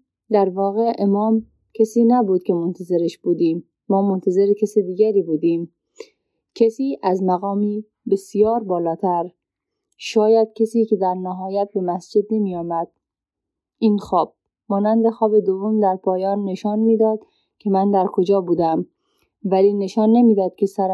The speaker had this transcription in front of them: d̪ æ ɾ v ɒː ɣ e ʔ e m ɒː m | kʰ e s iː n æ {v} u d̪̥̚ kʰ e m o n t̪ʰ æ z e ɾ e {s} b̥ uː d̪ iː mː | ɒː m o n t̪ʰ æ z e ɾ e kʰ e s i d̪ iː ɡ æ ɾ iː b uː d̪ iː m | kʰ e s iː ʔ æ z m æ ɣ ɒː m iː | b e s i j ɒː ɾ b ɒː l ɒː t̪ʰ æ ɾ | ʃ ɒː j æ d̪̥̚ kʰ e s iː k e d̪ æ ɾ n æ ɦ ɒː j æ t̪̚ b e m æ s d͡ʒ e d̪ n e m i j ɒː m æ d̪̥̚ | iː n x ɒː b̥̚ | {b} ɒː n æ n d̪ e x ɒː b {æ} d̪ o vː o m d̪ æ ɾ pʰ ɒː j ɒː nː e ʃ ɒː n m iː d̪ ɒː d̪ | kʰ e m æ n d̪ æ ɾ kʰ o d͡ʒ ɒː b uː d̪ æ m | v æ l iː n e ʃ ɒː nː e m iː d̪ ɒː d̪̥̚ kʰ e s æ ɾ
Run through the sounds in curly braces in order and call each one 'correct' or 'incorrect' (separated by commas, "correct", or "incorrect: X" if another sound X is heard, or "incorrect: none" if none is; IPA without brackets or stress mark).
incorrect: b, incorrect: ʃ, incorrect: m, incorrect: e